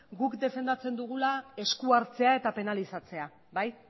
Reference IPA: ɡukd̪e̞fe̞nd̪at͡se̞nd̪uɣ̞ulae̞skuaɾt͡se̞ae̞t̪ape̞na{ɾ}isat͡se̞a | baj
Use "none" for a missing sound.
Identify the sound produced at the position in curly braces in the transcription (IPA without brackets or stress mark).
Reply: l